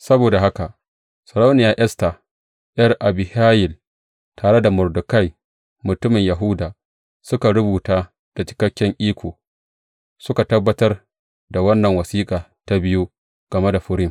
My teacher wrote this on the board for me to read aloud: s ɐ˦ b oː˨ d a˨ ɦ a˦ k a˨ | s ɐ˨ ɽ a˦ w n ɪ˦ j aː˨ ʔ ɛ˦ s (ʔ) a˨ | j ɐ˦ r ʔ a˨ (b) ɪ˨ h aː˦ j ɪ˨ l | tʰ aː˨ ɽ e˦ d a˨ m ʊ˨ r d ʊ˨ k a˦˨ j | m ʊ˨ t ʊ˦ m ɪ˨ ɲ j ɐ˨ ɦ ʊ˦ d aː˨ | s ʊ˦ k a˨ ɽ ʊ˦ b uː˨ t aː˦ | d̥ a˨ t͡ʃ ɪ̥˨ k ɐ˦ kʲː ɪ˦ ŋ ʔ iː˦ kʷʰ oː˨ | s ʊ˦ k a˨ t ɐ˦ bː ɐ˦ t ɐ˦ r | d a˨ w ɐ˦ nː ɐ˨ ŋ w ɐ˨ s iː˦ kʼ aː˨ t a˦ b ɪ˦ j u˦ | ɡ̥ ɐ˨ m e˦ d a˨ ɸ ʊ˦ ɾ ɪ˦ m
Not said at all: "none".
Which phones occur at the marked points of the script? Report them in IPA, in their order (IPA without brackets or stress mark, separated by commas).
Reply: t, b